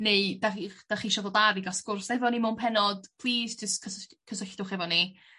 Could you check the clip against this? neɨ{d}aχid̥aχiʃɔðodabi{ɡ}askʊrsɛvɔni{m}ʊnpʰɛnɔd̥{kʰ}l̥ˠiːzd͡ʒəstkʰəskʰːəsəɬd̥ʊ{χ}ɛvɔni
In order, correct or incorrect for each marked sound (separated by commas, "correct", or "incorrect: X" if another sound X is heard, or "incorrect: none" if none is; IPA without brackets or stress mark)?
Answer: correct, correct, correct, incorrect: pʰ, correct